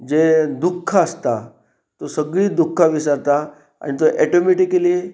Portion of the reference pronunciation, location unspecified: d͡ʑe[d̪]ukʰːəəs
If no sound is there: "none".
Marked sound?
d̪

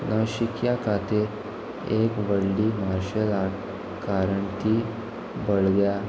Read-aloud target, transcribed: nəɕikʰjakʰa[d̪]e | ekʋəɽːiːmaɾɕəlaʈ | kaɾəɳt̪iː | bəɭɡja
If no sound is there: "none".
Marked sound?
t̪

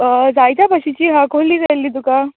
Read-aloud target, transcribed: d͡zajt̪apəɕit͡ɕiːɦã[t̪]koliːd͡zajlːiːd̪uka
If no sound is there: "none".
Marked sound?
none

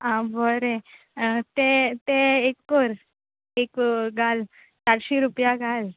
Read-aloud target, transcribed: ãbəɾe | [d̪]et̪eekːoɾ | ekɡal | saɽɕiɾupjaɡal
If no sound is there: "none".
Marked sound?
t̪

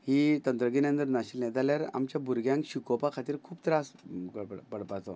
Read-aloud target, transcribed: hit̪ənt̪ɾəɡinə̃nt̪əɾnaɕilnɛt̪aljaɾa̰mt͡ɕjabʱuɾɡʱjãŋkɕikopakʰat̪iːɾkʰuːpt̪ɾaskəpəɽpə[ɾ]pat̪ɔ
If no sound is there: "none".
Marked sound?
ɽ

